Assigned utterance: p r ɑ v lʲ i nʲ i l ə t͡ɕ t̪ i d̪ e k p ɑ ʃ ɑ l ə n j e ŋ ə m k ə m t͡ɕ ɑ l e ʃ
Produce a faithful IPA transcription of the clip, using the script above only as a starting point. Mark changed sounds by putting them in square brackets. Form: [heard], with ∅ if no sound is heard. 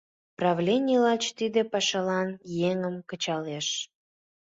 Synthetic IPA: p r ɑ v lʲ [e] nʲ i l [ɑ] t͡ɕ t̪ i d̪ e [∅] p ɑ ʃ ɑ l [ɑ] n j e ŋ ə m k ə [∅] t͡ɕ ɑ l e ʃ